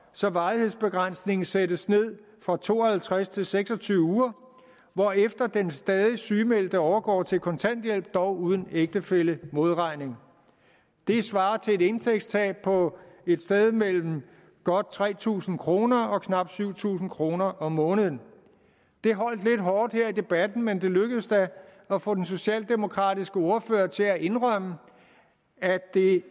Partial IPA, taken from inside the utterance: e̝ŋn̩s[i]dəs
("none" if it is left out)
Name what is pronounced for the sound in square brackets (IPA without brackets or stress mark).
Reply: e